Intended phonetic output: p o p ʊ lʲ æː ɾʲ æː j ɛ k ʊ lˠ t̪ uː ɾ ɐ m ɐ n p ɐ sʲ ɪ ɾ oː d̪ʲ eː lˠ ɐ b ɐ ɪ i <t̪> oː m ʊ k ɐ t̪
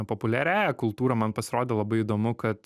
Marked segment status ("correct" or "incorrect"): incorrect